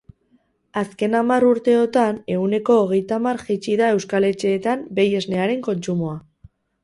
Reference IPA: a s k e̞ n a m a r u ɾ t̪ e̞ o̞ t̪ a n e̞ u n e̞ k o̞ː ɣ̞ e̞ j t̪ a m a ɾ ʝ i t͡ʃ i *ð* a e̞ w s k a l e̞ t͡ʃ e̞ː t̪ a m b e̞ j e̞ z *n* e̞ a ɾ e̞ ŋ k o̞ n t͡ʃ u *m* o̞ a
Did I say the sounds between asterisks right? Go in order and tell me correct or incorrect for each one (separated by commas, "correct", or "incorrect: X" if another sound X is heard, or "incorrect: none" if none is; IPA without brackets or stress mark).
correct, correct, correct